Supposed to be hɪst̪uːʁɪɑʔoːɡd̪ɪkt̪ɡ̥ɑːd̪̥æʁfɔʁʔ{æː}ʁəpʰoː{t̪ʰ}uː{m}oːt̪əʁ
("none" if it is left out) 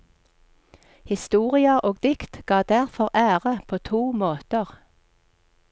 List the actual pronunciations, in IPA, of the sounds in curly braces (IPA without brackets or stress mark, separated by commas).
æː, t̪ʰ, m